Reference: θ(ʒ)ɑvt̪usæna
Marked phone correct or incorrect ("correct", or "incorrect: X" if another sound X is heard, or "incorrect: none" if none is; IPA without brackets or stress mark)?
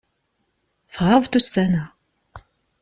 incorrect: ʁ